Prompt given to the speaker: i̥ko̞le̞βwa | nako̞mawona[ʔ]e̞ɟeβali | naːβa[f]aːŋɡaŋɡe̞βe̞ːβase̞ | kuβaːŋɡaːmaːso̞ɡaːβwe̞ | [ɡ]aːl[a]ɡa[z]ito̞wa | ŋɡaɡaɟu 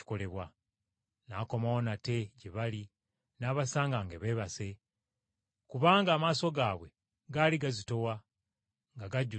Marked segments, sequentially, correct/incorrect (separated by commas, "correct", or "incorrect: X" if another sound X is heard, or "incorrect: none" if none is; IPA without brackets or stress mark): incorrect: t, incorrect: s, correct, incorrect: i, correct